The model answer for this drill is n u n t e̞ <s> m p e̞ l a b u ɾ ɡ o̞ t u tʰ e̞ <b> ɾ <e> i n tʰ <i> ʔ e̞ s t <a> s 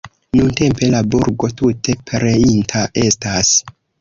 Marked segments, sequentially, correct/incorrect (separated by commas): incorrect, incorrect, correct, incorrect, correct